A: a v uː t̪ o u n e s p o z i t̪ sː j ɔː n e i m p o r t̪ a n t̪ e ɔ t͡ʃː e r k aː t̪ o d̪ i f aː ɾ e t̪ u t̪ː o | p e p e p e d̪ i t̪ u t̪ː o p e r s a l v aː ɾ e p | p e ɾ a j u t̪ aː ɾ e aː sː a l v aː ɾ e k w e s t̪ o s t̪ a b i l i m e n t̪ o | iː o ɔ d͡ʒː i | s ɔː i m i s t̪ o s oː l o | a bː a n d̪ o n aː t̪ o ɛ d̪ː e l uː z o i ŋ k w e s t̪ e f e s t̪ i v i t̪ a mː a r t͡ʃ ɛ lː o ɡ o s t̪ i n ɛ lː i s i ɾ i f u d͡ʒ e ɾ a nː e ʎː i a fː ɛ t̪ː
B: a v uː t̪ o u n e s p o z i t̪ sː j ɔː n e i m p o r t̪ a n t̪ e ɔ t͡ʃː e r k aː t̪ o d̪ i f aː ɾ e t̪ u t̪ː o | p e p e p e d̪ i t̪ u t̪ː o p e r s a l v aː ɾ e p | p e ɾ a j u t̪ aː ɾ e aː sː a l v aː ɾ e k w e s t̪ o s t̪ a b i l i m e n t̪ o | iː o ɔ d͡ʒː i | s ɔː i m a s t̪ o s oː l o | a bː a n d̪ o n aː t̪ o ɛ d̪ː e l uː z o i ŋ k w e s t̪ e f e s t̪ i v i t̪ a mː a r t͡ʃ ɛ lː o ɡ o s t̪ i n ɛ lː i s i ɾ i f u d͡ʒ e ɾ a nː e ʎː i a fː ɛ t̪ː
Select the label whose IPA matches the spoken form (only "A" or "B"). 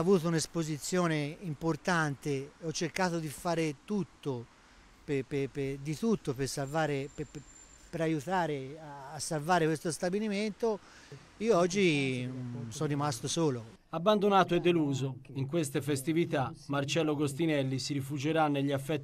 B